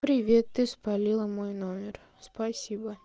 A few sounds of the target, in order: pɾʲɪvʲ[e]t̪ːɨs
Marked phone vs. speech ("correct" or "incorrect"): correct